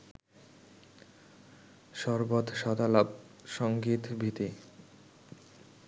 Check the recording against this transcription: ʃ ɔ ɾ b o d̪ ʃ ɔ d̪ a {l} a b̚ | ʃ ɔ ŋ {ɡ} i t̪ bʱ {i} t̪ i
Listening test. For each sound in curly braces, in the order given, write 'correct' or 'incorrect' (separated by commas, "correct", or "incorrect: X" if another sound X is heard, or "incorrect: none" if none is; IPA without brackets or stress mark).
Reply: correct, correct, correct